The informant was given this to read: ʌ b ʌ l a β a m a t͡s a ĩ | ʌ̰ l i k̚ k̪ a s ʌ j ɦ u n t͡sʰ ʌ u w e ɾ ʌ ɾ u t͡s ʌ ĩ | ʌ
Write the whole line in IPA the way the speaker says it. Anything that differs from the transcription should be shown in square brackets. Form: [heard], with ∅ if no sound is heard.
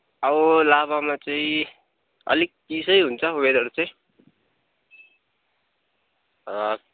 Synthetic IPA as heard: ʌ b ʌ l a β a m a t͡s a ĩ | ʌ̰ l i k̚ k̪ [i] s ʌ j ɦ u n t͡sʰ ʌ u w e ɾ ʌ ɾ u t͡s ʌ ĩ | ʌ